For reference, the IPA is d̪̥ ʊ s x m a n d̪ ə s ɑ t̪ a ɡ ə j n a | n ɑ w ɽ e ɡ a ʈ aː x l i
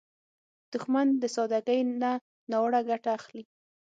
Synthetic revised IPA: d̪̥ ʊ x m a n d̪ ə s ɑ d̪ a ɡ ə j n a | n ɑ w ɽ a ɡ a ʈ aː x l i